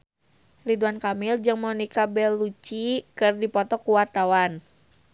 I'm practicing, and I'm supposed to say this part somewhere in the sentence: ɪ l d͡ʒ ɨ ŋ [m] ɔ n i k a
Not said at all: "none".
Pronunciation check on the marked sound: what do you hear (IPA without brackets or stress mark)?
m